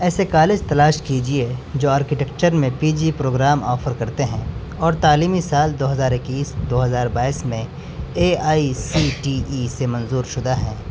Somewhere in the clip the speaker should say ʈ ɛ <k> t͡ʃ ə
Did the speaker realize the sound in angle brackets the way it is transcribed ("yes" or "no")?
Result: yes